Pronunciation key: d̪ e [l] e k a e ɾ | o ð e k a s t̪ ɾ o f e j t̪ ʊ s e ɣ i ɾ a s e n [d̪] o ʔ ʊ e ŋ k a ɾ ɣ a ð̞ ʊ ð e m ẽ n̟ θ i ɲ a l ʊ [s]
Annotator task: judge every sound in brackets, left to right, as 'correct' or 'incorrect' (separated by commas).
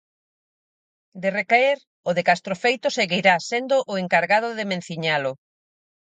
incorrect, correct, incorrect